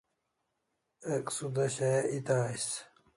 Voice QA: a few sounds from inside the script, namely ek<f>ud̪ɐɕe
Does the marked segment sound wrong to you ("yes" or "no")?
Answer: yes